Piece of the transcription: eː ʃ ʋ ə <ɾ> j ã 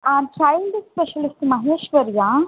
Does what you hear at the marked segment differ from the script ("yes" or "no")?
no